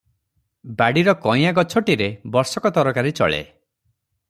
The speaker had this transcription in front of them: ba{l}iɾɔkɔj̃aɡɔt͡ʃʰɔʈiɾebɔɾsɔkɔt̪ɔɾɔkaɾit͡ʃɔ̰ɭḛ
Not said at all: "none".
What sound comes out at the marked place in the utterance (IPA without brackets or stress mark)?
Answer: ɽ